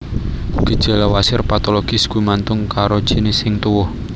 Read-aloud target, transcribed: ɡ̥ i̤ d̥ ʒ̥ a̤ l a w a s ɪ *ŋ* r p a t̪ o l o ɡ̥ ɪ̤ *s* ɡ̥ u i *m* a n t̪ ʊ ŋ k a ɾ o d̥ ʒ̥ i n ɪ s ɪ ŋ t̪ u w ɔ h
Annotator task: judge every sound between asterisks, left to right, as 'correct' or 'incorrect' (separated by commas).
incorrect, correct, correct